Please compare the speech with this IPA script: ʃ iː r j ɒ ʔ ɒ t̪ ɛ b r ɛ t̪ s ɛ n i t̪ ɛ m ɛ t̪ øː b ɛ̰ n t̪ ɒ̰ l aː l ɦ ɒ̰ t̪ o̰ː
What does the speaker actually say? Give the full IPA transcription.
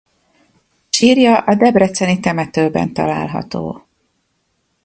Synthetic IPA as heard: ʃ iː r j ɒ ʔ ɒ d̪ ɛ b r ɛ t̪ s ɛ n i t̪ ɛ m ɛ t̪ øː b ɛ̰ n t̪ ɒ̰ l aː l ɦ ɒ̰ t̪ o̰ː